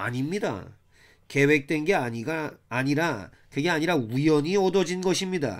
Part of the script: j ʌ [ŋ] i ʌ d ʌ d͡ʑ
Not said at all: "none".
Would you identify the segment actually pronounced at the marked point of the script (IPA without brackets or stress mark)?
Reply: ɲ